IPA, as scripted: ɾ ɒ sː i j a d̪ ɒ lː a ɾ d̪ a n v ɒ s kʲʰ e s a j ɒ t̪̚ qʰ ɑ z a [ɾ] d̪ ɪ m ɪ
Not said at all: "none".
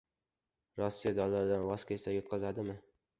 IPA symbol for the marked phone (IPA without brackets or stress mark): none